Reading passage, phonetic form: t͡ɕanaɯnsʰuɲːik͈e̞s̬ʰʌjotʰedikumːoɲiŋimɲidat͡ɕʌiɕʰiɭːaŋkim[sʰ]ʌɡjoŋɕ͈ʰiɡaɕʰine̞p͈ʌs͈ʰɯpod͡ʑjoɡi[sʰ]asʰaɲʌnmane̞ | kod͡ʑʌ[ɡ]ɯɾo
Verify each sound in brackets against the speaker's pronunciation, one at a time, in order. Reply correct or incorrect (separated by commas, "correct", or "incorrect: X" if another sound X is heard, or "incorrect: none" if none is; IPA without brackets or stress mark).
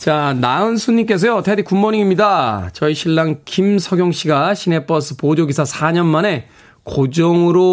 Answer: correct, correct, incorrect: ŋ